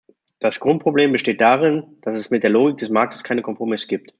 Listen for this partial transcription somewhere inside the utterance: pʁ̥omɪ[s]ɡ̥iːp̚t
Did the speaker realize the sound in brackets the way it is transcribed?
yes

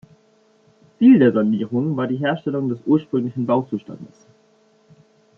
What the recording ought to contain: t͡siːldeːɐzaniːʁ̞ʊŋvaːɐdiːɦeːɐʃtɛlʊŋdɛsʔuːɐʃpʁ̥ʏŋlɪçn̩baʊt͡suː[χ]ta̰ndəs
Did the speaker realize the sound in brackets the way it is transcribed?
no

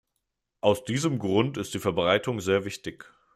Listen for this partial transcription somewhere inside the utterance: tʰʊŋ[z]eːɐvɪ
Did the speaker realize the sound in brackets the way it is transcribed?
yes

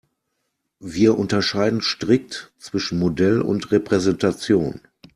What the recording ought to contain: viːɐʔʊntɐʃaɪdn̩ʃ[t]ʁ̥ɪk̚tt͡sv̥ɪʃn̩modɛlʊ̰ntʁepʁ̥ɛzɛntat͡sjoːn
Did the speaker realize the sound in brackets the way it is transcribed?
yes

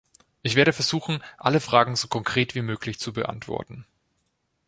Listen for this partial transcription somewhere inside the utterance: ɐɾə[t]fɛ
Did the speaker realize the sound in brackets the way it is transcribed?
no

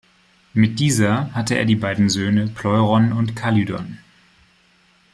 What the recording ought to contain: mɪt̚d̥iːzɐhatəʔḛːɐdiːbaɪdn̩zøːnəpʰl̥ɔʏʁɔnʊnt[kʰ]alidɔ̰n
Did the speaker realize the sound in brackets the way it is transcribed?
yes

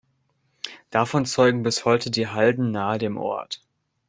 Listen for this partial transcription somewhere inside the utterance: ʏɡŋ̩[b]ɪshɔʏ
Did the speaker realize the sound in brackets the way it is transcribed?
yes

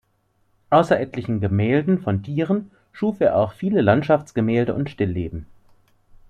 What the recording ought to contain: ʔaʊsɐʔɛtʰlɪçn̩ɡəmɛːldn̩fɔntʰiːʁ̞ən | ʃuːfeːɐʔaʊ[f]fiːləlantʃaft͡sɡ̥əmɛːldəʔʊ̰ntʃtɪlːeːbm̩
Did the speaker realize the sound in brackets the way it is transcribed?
no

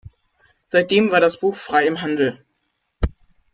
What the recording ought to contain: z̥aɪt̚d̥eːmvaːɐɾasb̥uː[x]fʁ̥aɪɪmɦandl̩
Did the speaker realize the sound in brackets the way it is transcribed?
yes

